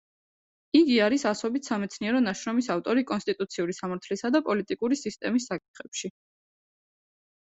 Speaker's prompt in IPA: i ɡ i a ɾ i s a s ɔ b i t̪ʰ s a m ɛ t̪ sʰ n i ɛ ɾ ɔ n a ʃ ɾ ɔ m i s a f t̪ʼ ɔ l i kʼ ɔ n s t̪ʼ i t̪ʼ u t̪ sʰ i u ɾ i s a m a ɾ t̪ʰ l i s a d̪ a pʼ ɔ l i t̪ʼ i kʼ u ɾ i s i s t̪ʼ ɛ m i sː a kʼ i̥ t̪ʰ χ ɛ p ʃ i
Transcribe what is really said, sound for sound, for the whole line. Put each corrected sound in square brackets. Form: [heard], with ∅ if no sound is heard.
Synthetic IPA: i ɡ i a ɾ i s a s ɔ b i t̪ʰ s a m ɛ t̪ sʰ n i ɛ ɾ ɔ n a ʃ ɾ ɔ m i s a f t̪ʼ ɔ [ɾ] i kʼ ɔ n s t̪ʼ i t̪ʼ u t̪ sʰ i u ɾ i s a m a ɾ t̪ʰ l i s a d̪ a pʼ ɔ l i t̪ʼ i kʼ u ɾ i s i s t̪ʼ ɛ m i sː a kʼ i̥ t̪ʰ χ ɛ p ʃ i